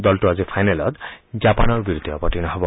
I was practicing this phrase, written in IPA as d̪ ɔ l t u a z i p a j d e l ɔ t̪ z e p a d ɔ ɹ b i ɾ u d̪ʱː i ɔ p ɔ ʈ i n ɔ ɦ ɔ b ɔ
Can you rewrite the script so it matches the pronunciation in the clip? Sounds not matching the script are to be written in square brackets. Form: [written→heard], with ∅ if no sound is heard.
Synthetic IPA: d̪ ɔ l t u a z i [p→pʰ] a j [d→n] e l ɔ t̪ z [e→a] p a [d→n] ɔ ɹ b i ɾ u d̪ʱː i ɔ p ɔ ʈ i n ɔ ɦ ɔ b ɔ